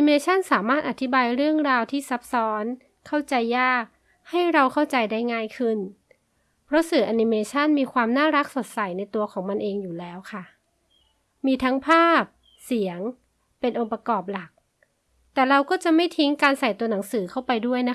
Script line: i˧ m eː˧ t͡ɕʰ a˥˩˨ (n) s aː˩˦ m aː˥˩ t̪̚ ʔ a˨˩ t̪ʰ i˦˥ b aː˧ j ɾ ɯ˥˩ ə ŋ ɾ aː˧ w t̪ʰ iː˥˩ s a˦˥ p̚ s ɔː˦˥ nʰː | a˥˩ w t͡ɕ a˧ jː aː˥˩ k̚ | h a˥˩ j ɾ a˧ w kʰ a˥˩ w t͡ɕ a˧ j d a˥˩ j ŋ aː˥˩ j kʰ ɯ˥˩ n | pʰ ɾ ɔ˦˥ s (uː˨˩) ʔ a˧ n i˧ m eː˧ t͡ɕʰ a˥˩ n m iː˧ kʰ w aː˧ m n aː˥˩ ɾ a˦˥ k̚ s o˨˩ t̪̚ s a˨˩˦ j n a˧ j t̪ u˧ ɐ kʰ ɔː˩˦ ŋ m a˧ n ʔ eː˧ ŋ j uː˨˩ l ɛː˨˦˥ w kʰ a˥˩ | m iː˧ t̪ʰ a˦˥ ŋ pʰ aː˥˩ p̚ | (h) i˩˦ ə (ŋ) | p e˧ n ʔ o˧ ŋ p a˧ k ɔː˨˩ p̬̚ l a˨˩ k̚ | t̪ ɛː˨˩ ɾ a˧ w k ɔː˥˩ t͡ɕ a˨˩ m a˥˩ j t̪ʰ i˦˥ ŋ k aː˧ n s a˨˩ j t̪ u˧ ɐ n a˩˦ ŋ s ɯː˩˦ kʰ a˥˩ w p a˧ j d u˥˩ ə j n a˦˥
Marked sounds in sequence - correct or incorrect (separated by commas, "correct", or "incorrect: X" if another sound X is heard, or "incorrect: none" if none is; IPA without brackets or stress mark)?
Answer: correct, incorrect: ɯː˨˩, incorrect: s, correct